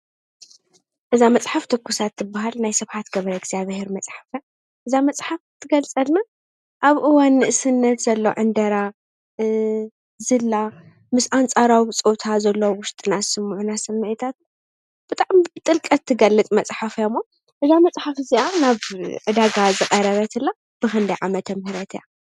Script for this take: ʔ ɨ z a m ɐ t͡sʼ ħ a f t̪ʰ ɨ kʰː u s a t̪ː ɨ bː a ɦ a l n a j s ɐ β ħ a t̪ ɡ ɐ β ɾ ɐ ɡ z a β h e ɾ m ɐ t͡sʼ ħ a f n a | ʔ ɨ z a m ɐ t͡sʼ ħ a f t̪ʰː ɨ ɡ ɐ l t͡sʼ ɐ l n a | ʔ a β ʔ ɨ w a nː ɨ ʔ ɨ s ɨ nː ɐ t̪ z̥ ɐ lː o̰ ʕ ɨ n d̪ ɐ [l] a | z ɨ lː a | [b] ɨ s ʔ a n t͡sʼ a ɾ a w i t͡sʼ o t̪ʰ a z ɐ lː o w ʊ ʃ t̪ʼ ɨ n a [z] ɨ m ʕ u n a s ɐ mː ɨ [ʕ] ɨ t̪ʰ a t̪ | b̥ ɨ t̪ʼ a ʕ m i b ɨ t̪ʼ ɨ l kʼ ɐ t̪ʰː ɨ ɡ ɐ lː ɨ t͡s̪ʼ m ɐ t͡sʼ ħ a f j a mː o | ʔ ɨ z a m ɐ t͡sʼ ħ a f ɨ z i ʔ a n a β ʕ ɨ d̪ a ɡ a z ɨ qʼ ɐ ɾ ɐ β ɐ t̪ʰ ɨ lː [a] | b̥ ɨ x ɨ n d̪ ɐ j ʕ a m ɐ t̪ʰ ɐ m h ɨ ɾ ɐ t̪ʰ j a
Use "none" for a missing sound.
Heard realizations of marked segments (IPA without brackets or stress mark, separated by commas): ɾ, m, s, ʕ, a